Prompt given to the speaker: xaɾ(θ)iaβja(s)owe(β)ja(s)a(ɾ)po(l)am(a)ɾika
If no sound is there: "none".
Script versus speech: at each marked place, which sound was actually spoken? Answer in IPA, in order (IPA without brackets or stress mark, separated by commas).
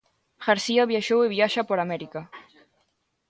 s, ʃ, β, ʃ, none, ɾ, ɛ